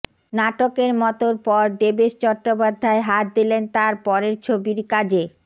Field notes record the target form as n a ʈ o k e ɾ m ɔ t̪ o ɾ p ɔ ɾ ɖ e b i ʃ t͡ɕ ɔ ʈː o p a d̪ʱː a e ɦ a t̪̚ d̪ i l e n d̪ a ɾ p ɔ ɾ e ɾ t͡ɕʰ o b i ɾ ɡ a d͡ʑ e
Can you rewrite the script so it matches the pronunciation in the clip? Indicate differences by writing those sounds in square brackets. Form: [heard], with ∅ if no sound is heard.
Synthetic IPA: n a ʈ o k e ɾ m ɔ t̪ o ɾ p ɔ ɾ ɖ e b [e] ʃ t͡ɕ ɔ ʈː o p a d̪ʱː a e ɦ a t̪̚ d̪ i l e n [t̪] a ɾ p ɔ ɾ e ɾ t͡ɕʰ o b i ɾ [k] a d͡ʑ e